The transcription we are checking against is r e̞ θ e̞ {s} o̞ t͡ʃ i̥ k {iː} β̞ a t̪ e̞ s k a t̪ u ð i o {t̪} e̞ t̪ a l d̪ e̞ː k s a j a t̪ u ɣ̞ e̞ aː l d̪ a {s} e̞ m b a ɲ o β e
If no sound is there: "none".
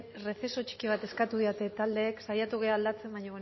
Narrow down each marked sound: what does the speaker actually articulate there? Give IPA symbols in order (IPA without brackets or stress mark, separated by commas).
s, i, t̪, t͡s